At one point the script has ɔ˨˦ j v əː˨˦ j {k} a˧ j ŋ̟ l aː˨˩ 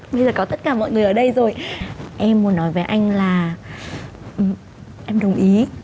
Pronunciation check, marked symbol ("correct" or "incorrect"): incorrect